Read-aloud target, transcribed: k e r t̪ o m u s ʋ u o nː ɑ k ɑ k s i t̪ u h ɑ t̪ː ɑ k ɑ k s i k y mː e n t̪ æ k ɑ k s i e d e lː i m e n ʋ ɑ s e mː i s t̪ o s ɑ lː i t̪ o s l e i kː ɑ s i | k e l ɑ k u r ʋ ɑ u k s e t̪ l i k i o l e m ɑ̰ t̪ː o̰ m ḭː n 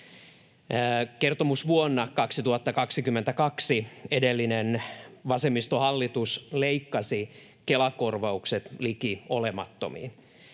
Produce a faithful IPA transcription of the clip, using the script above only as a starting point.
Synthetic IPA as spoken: k e r t̪ o m u s ʋ u o nː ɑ k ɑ k s i t̪ u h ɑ t̪ː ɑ k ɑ k s i k y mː e n t̪ æ k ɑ k s i e d e lː i n e n ʋ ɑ s e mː i s t̪ o h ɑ lː i t̪ u s l e i kː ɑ s i | k e l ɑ k o r ʋ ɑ u k s e t̪ l i k i o l e m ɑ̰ t̪ː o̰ m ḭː n